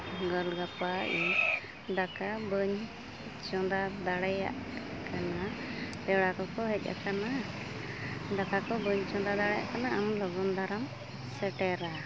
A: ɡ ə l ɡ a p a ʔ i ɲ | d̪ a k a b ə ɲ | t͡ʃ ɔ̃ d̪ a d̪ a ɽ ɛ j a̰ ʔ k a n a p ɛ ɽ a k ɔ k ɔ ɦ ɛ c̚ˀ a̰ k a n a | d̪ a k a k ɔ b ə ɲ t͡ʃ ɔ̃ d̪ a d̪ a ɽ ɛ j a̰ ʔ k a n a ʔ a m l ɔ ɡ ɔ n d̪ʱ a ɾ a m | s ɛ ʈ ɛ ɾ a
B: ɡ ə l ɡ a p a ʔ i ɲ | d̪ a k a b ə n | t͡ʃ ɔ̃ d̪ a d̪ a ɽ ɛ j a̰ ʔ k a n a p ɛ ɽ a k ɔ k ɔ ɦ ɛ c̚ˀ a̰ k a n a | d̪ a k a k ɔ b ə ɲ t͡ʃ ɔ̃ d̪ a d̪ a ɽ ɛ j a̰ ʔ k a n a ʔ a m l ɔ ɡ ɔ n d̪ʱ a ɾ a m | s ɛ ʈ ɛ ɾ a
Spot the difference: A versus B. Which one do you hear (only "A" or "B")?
A